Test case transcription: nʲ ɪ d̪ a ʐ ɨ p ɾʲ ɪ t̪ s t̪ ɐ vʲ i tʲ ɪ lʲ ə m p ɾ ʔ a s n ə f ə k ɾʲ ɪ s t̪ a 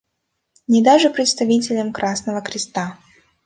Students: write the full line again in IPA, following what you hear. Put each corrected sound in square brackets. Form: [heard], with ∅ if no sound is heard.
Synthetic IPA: nʲ ɪ d̪ a ʐ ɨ p ɾʲ ɪ t̪ s t̪ ɐ vʲ i tʲ ɪ lʲ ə m [k] ɾ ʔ a s n ə [v] ə k ɾʲ ɪ s t̪ a